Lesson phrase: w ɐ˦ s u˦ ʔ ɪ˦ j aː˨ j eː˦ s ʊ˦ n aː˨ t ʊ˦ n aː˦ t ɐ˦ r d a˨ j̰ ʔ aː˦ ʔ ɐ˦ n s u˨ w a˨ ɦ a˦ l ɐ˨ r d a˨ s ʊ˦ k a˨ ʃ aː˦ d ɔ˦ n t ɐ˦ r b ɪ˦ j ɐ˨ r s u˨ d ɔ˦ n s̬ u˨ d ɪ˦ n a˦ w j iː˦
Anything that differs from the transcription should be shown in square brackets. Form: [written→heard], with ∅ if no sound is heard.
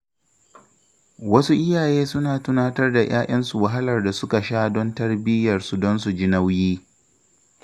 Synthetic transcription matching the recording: w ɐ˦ s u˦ ʔ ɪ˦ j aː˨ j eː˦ s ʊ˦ n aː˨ t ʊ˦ n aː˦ t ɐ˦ r d a˨ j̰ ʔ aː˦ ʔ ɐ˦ n s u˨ w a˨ ɦ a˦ l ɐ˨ r d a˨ s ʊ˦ k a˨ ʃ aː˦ d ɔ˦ n t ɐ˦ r b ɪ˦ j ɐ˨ r s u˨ d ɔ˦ n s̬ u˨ [d→d͡ʒ] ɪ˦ n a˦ w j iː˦